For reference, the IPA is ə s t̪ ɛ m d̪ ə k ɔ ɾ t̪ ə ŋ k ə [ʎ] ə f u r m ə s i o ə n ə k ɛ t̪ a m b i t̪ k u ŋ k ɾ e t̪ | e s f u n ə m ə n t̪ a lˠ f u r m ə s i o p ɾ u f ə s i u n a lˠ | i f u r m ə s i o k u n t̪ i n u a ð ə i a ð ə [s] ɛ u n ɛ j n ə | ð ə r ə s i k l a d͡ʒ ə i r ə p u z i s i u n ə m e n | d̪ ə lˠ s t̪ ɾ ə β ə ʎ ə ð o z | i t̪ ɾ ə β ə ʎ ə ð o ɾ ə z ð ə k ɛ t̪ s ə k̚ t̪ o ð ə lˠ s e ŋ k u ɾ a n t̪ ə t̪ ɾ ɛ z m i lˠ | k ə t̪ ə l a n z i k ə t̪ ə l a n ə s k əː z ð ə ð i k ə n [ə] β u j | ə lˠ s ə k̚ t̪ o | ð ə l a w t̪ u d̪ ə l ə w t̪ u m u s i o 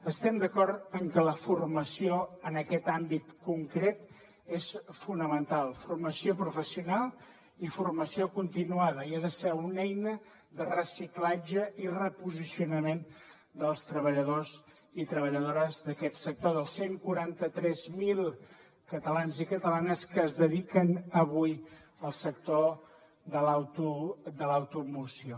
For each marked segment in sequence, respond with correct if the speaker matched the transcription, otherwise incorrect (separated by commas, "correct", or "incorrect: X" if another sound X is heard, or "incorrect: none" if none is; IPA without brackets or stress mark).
incorrect: l, correct, correct